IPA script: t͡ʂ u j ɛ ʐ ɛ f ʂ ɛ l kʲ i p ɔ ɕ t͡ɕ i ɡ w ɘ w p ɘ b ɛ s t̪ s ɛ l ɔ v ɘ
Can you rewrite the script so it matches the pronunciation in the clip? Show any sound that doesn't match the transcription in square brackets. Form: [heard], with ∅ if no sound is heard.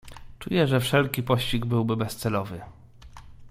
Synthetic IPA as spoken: t͡ʂ u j ɛ ʐ ɛ f ʂ ɛ l kʲ i p ɔ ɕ t͡ɕ i ɡ [b] ɘ w [b] ɘ b ɛ s t̪ s ɛ l ɔ v ɘ